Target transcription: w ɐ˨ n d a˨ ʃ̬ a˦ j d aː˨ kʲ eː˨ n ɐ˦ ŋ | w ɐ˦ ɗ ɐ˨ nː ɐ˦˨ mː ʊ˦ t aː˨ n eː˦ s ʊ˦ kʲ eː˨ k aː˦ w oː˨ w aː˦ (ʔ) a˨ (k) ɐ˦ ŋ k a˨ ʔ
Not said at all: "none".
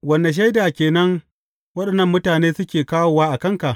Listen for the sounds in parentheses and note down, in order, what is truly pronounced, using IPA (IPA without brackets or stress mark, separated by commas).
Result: ʔ, k